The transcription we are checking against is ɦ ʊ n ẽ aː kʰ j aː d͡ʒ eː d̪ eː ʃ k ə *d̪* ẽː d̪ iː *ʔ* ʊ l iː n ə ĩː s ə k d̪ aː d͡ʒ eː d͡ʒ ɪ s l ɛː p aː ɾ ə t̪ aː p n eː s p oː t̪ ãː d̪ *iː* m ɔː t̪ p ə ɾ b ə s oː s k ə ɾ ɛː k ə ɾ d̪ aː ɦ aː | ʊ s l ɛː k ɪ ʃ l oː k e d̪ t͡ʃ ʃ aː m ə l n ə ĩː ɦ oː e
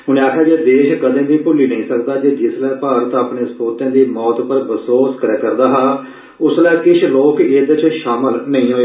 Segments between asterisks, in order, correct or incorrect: correct, incorrect, correct

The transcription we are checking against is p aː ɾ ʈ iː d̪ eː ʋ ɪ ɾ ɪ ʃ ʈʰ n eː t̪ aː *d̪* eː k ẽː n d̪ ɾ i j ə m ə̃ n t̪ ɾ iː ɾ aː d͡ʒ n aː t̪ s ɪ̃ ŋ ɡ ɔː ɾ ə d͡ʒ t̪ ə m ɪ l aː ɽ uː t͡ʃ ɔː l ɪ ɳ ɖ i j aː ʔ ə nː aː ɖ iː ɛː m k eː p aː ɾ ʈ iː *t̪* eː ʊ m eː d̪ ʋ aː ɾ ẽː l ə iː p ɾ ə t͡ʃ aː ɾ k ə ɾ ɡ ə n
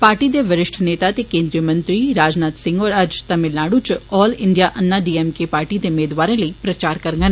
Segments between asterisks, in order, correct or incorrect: incorrect, incorrect

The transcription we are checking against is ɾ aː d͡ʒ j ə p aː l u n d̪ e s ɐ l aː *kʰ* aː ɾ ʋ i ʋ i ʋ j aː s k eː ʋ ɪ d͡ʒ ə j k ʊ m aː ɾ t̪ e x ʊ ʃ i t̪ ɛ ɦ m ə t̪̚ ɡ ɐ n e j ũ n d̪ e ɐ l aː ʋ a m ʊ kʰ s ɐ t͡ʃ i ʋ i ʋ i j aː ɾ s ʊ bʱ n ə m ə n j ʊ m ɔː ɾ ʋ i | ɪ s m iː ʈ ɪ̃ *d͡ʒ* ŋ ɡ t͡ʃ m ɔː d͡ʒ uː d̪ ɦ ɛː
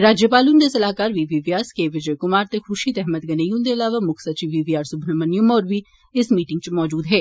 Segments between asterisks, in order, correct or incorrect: incorrect, incorrect

